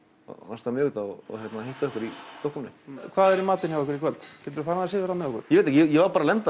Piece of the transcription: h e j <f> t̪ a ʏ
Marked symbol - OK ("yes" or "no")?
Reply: no